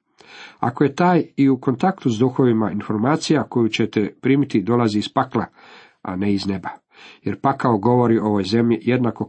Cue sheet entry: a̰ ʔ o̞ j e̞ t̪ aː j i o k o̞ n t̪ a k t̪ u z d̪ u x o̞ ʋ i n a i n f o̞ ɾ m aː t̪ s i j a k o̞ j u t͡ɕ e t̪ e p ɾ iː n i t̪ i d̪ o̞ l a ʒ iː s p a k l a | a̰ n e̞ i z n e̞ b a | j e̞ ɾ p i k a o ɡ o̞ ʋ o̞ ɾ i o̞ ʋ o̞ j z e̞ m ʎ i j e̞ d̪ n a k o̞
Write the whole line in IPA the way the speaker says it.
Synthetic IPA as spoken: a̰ k o̞ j e̞ t̪ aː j i u k o̞ n t̪ a k t̪ u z d̪ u x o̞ ʋ i m a i n f o̞ ɾ m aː t̪ s i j a k o̞ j u t͡ɕ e t̪ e p ɾ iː m i t̪ i d̪ o̞ l a z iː s p a k l a | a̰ n e̞ i z n e̞ b a | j e̞ ɾ p a k a o ɡ o̞ ʋ o̞ ɾ i o̞ ʋ o̞ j z e̞ m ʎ i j e̞ d̪ n a k o̞